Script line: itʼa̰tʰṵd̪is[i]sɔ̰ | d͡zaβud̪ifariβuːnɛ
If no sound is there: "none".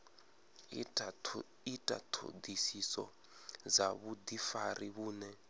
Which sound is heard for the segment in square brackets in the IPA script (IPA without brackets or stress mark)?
i